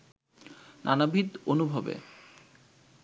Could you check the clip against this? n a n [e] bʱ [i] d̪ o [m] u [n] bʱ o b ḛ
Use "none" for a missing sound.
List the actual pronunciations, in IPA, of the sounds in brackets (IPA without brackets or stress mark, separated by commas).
a, i, n, none